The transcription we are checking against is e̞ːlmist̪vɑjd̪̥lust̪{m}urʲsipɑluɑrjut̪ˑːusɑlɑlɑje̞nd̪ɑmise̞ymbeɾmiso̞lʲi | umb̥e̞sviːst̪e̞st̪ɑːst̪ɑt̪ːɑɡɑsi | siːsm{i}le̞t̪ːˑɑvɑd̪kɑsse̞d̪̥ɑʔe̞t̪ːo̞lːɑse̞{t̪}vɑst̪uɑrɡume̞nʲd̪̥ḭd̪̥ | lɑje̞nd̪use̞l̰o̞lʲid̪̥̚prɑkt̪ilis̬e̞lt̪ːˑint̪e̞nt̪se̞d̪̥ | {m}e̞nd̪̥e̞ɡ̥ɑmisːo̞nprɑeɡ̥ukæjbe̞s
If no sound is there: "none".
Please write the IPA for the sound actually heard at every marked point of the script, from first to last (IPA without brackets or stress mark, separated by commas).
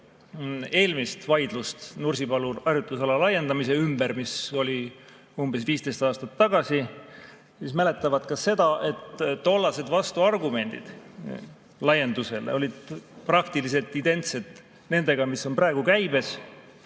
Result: n, æ, d̪, n